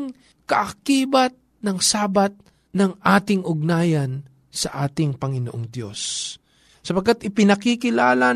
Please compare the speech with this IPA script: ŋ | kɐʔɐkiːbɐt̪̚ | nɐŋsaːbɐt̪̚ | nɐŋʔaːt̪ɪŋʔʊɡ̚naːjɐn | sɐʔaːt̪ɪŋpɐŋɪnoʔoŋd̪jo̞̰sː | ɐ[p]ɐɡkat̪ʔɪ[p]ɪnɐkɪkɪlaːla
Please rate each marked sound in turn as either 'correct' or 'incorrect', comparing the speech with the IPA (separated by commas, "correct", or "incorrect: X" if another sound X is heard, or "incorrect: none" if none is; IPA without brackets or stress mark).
correct, correct